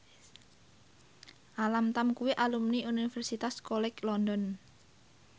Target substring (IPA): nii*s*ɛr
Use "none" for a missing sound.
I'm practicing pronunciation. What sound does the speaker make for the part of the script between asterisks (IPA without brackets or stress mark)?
f